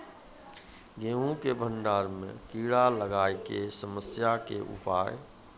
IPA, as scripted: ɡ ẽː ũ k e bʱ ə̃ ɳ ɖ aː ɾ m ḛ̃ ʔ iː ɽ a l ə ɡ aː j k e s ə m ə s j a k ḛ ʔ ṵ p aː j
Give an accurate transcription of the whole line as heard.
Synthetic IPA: ɡ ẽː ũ k e bʱ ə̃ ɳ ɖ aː ɾ m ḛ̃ k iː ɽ a l ə ɡ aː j k e s ə m ə s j a k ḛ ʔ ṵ p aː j